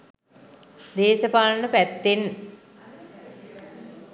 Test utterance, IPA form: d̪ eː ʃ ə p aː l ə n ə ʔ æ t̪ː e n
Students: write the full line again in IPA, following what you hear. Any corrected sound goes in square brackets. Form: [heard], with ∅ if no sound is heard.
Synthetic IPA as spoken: d̪ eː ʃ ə p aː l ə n ə [p] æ t̪ː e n